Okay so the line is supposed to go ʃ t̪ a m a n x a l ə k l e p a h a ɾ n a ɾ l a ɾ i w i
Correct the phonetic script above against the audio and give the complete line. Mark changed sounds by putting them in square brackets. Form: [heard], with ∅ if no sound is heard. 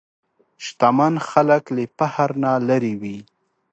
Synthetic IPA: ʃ t̪ a m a n x a l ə k l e p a h a ɾ n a [∅] l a ɾ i w i